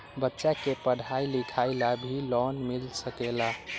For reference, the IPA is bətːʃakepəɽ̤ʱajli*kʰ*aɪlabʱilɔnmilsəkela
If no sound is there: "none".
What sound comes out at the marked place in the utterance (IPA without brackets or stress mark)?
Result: kʰ